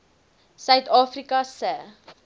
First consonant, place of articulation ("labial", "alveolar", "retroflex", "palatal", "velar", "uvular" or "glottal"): alveolar